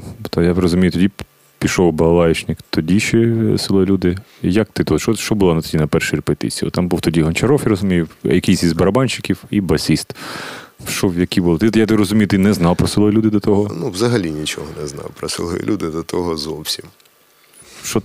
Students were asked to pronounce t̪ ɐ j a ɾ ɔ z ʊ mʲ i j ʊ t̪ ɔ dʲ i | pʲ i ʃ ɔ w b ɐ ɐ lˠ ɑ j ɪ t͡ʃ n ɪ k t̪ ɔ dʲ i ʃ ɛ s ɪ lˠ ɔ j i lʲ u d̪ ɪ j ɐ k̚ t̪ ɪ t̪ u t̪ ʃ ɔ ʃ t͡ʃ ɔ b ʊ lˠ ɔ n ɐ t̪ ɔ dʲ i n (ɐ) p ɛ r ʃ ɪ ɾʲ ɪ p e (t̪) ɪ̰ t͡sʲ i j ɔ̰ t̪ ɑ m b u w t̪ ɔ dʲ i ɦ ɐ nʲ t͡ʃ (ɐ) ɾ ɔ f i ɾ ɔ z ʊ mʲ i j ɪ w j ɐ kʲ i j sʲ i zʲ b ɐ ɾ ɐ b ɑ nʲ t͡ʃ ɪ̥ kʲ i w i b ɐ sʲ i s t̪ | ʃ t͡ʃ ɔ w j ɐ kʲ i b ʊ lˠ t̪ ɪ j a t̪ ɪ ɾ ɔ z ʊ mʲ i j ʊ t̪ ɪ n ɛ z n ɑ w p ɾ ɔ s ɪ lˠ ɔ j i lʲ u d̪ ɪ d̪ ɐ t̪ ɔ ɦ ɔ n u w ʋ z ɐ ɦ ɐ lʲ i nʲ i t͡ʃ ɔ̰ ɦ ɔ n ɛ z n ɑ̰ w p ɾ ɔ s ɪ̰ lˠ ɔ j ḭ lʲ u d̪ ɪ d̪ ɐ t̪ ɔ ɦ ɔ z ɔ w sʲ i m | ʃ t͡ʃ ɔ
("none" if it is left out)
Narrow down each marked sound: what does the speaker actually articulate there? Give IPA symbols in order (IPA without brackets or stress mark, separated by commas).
ɐ, t̪, ɐ